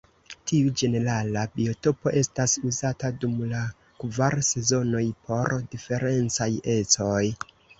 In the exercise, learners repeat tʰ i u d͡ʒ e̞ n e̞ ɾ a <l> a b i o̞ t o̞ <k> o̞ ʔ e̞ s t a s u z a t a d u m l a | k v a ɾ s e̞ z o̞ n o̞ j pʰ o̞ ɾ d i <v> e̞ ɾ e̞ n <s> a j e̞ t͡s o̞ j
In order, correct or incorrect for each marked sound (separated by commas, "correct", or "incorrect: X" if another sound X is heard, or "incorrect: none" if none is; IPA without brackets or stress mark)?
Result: correct, incorrect: p, incorrect: f, incorrect: t͡s